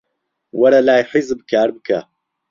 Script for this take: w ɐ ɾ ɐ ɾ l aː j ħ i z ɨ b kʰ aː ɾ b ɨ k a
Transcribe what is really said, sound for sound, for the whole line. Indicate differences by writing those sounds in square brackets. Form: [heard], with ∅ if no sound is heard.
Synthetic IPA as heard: w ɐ ɾ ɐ [∅] l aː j ħ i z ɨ b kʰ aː ɾ b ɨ k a